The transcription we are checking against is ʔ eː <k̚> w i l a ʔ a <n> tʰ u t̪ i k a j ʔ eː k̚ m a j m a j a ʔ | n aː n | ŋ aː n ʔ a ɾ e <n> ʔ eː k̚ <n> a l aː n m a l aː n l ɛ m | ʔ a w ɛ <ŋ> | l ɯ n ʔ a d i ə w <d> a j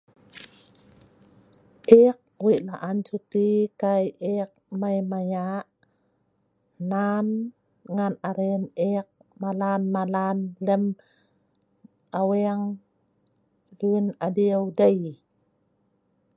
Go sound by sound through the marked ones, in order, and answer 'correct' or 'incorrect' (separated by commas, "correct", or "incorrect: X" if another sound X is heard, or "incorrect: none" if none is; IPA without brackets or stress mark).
correct, correct, correct, incorrect: m, correct, correct